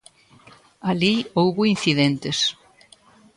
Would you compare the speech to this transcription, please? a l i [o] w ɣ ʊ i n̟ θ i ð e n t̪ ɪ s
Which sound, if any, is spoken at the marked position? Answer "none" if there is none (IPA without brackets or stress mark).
o